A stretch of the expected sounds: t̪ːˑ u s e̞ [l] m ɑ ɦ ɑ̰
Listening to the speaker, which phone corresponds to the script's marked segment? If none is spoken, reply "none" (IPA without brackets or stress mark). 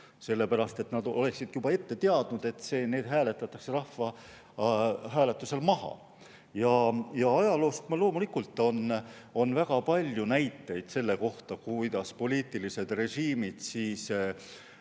l